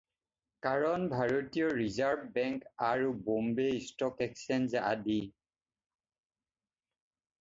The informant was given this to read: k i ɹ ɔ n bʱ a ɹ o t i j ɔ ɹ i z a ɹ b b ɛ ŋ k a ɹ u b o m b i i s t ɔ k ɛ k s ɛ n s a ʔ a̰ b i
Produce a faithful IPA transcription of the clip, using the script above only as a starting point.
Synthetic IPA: k a ɹ ɔ n bʱ a ɹ o t i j ɔ ɹ i z a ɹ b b ɛ ŋ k a ɹ u b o m b e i s t ɔ k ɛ k s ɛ n z a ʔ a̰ d i